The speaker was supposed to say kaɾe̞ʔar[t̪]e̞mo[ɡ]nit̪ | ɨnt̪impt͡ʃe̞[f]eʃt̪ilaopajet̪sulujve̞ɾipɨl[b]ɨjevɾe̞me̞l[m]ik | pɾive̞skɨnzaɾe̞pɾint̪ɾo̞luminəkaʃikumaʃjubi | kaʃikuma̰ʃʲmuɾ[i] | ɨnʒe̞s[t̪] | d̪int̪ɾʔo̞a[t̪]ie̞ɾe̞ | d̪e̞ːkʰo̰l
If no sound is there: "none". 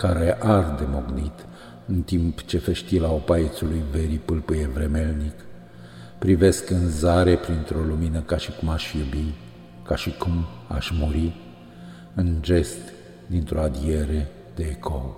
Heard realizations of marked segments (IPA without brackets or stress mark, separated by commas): d̪, ɡ, f, p, n, i, t̪, d̪